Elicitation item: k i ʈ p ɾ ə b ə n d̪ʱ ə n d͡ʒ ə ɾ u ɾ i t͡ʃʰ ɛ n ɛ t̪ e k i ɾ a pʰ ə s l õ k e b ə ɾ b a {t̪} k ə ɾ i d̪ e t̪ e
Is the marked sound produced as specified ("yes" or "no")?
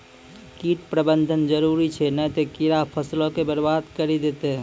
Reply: no